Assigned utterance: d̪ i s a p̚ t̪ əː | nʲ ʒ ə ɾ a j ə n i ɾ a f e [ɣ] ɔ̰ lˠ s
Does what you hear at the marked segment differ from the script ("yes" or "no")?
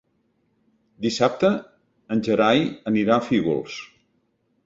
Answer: no